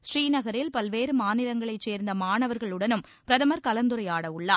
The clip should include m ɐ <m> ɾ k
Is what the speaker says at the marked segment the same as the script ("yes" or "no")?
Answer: no